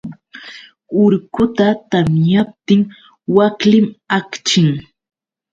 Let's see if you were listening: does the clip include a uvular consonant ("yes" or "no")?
no